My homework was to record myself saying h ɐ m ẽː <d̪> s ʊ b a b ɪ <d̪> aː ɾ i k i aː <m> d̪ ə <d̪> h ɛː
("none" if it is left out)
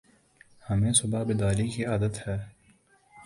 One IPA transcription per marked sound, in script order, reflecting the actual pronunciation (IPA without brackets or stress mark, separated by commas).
none, d̪, none, t̪